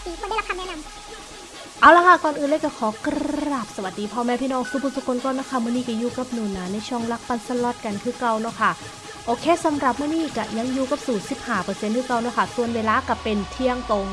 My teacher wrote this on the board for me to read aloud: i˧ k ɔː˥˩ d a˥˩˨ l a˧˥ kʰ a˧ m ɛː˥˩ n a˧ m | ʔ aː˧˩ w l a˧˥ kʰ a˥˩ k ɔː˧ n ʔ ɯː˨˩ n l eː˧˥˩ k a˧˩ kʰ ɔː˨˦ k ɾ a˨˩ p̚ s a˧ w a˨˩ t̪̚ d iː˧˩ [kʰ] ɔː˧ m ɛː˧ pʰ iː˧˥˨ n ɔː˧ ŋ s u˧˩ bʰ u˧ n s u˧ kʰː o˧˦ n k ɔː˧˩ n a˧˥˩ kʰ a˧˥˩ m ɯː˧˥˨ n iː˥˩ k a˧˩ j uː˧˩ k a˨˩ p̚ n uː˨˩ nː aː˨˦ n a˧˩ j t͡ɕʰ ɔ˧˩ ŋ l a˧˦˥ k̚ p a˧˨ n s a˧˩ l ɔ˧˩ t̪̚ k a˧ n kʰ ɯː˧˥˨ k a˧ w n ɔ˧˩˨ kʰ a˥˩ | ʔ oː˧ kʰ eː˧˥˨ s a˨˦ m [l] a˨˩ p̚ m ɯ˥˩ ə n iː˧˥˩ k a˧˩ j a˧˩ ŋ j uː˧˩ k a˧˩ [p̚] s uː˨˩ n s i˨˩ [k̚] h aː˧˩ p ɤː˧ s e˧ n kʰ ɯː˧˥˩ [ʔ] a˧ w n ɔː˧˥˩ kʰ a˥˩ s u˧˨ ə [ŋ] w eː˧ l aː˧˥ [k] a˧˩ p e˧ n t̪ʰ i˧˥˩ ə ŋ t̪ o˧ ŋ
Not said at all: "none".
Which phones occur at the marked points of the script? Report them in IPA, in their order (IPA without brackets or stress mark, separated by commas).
pʰ, ɾ, p̚, p̚, k, n, k